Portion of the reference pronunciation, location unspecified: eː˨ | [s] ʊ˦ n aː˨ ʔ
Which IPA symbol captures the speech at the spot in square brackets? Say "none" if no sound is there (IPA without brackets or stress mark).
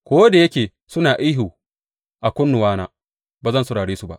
s